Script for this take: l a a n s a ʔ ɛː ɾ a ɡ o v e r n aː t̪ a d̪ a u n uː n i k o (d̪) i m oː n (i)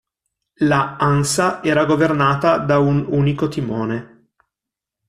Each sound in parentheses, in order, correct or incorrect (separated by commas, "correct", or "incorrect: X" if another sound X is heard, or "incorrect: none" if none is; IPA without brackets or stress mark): incorrect: t̪, incorrect: e